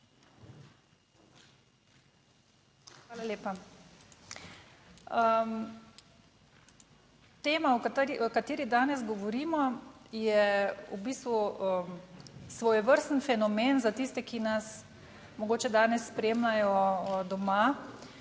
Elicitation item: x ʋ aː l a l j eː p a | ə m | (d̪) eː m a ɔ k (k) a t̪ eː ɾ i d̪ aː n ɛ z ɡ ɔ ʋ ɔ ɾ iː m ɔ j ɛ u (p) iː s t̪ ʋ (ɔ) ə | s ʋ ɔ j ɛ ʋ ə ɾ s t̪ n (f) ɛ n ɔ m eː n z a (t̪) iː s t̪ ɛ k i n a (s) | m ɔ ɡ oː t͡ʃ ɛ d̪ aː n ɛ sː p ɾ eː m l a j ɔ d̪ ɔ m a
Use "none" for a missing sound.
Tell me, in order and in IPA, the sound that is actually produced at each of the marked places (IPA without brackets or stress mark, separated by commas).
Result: t̪, k, b, u, f, t̪, s